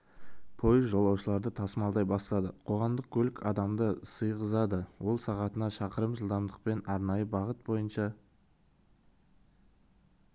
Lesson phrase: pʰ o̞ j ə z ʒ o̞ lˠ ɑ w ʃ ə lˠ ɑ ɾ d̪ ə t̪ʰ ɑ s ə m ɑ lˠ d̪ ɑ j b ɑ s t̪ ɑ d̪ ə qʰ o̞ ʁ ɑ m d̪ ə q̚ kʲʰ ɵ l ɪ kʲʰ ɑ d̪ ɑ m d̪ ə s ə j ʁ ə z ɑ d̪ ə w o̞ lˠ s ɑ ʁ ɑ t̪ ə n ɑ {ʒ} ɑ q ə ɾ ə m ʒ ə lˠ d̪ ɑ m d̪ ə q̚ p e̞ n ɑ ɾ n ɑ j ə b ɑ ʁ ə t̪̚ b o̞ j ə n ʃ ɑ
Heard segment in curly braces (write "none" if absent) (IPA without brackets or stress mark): ʃ